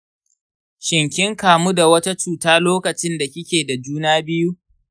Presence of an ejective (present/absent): absent